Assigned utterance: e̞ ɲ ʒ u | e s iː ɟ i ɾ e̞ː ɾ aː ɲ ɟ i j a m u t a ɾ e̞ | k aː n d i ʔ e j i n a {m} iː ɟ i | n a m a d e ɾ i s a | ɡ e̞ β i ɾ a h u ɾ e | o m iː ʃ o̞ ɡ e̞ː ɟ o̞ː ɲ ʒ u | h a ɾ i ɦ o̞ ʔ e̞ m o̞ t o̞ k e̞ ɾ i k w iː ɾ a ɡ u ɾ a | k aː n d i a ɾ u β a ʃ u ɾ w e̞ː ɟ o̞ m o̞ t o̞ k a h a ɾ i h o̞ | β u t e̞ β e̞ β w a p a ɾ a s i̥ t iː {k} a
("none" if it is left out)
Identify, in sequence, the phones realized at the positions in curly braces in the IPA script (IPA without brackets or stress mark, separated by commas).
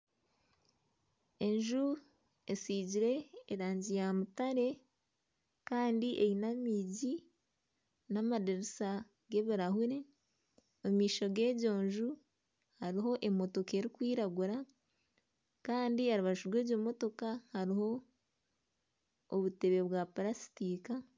m, k